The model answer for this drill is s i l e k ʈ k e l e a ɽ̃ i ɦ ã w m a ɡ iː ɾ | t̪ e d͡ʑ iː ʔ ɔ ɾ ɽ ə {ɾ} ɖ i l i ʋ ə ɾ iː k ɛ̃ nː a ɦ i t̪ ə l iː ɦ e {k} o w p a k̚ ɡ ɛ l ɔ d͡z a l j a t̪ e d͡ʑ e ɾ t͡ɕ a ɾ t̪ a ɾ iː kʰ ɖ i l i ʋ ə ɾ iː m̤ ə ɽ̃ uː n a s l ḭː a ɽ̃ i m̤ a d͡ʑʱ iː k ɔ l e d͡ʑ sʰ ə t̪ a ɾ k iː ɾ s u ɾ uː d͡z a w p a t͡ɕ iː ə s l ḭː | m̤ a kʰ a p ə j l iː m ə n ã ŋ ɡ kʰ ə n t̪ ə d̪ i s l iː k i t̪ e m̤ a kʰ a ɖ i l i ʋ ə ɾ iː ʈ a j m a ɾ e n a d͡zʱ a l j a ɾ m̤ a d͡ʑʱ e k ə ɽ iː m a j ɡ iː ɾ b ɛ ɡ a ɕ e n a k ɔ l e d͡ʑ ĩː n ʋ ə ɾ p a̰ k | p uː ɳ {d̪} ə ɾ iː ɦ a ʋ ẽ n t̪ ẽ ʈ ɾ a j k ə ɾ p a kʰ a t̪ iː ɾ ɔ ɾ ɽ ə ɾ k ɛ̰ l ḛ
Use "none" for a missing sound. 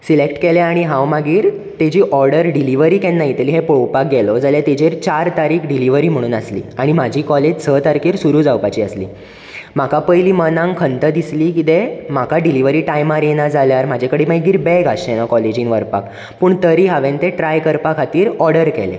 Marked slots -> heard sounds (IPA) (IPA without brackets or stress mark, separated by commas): ɾ, p, t̪